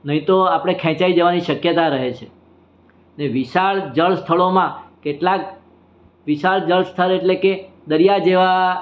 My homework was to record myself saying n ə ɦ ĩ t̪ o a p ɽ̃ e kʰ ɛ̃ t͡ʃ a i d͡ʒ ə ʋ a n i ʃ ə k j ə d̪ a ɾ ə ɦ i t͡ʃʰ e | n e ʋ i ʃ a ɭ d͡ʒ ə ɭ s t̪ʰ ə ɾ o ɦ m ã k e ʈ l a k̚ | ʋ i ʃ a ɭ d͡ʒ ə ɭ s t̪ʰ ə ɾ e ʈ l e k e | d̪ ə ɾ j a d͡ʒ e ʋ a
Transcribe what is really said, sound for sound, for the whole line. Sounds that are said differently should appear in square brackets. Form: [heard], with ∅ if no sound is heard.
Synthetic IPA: n ə ɦ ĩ t̪ o a p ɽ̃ e kʰ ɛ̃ t͡ʃ a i d͡ʒ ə ʋ a n i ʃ ə k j ə [t̪] a ɾ ə ɦ [e] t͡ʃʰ e | n e ʋ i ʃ a ɭ d͡ʒ ə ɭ s t̪ʰ ə [ɭ] o [∅] m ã k e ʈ l a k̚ | ʋ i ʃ a ɭ d͡ʒ ə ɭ s t̪ʰ ə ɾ e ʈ l e k e | d̪ ə ɾ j a d͡ʒ e ʋ a